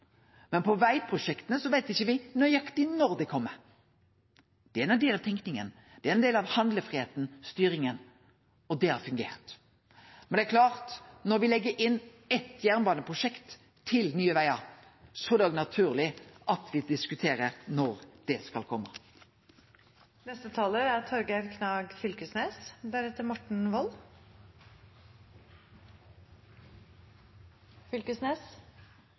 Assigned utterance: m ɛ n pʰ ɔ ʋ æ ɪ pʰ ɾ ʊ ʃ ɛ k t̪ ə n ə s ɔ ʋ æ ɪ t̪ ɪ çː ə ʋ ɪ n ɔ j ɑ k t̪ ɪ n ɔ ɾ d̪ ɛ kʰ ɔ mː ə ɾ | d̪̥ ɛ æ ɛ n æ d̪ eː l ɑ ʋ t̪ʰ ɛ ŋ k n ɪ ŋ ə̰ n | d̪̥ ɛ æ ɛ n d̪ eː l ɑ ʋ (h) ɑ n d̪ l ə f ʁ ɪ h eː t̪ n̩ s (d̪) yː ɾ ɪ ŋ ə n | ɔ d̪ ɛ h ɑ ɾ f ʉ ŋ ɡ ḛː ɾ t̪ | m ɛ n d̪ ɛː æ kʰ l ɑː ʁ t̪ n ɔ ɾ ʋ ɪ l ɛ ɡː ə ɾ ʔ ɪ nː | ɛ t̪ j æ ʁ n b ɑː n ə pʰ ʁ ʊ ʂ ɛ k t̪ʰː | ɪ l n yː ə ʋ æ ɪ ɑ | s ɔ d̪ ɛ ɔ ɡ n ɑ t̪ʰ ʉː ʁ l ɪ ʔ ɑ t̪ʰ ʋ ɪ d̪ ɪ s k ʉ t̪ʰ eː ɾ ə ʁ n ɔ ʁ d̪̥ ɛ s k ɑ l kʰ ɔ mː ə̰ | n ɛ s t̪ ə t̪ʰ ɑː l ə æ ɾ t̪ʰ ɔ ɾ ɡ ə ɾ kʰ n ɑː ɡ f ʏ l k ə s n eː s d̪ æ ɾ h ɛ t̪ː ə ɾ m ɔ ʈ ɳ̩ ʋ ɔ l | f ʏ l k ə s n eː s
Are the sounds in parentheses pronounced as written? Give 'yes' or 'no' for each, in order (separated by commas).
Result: yes, no